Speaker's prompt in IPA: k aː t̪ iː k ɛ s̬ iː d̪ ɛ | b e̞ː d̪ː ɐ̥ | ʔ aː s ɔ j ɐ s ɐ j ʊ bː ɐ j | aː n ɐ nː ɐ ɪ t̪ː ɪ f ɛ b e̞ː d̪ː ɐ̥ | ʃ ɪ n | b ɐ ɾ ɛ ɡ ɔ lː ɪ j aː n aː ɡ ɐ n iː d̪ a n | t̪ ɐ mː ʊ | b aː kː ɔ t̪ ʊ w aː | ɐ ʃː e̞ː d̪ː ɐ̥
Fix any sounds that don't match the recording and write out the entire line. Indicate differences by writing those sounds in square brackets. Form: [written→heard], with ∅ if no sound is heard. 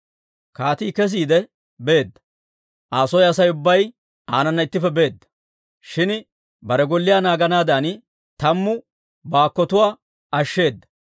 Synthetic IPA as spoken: k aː t̪ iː k ɛ s̬ iː d̪ ɛ | b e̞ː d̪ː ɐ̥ | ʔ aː s ɔ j ɐ s ɐ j ʊ bː ɐ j | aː n ɐ nː ɐ ɪ t̪ː ɪ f ɛ b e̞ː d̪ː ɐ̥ | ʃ ɪ n | b ɐ ɾ ɛ ɡ ɔ lː ɪ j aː n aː ɡ ɐ n [iː→aː] d̪ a n | t̪ ɐ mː ʊ | b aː kː ɔ t̪ ʊ w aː | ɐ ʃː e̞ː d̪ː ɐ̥